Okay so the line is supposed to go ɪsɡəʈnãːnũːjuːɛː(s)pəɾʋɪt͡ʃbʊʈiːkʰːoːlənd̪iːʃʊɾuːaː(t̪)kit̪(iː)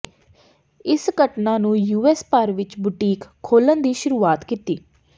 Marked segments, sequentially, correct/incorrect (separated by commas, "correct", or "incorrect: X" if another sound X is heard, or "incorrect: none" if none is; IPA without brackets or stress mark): correct, correct, correct